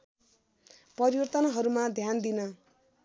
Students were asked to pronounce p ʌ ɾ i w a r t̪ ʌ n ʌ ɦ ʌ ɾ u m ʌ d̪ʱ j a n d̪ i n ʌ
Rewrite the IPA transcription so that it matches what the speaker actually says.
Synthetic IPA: p ʌ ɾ i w ʌ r t̪ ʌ n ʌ ɦ ʌ ɾ u m a d̪ʱ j a n d̪ i n ʌ